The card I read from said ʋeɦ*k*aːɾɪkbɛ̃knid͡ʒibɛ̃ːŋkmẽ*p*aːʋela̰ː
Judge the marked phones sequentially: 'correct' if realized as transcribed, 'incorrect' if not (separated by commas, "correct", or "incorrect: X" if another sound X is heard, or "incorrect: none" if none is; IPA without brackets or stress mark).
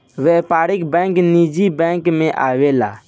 incorrect: p, incorrect: ʔ